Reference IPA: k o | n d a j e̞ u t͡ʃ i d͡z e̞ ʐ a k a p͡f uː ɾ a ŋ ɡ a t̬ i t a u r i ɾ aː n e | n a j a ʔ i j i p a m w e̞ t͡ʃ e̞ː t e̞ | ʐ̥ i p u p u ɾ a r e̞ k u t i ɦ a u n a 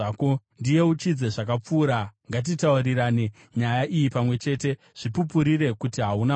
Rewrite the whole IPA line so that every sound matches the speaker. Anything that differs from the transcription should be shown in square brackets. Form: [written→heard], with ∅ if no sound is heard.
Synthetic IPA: k o | n d [a→i] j e̞ u t͡ʃ i d͡z e̞ ʐ a k a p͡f uː ɾ a ŋ ɡ a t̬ i t a u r i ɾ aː n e | [n→ɲ] a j a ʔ i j i p a m w e̞ t͡ʃ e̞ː t e̞ | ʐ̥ i p u p u ɾ [a→i] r e̞ k u t i ɦ a u n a